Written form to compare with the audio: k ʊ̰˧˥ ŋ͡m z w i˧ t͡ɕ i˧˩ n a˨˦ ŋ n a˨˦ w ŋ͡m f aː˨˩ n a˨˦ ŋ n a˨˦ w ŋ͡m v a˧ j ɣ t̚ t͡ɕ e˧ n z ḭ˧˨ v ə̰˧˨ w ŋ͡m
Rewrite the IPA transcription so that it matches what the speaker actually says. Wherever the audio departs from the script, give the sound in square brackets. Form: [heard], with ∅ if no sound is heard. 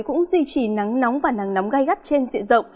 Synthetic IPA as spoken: k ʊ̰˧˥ ŋ͡m z w i˧ t͡ɕ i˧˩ n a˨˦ ŋ n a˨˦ w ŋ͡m [v] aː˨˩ n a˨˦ ŋ n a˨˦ w ŋ͡m [ɣ] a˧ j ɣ t̚ t͡ɕ e˧ n z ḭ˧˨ [z] ə̰˧˨ w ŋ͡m